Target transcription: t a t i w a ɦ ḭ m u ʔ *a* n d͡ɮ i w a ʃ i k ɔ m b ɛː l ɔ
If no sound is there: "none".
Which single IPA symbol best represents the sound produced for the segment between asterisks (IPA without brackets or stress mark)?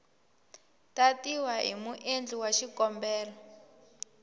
e